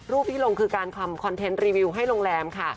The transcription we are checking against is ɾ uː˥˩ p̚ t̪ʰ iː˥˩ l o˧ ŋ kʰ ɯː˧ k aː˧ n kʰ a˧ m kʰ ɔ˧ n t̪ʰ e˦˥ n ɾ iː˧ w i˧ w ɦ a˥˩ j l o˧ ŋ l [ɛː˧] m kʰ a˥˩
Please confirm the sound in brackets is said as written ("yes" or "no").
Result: yes